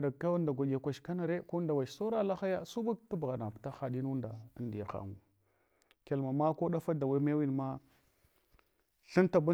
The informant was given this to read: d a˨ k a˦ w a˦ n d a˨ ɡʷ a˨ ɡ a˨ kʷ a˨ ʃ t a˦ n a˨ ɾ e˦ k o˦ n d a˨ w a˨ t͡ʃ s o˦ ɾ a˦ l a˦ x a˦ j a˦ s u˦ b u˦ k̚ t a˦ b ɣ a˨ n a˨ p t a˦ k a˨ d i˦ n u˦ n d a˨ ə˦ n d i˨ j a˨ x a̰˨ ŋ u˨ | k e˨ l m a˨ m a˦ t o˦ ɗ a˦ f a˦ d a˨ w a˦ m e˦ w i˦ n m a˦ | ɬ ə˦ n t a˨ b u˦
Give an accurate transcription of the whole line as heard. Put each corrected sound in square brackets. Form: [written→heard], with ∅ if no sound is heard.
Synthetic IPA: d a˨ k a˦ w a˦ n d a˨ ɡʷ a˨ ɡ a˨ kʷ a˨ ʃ [t→k] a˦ n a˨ ɾ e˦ k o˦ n d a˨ w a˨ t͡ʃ s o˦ ɾ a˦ l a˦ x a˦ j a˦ s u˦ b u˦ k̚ t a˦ b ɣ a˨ n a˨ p t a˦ [k→x] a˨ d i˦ n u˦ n d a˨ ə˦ n d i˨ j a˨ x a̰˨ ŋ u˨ | k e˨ l m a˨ m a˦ [t→k] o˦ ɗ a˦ f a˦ d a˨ w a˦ m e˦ w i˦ n m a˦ | ɬ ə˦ n t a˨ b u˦